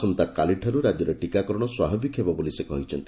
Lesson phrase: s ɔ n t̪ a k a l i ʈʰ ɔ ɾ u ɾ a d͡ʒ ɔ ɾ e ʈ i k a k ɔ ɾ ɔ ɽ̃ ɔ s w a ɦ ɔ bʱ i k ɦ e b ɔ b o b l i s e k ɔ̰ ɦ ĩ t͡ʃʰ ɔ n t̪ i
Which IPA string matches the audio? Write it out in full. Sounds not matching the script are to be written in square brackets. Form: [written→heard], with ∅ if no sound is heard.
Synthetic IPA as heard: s ɔ n t̪ a k a l i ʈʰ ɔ ɾ u ɾ a d͡ʒ ɔ ɾ e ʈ i k a k ɔ ɾ ɔ ɽ̃ ɔ s w a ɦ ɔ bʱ i k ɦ e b ɔ b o [b→∅] l i s e k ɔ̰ ɦ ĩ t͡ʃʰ ɔ n t̪ i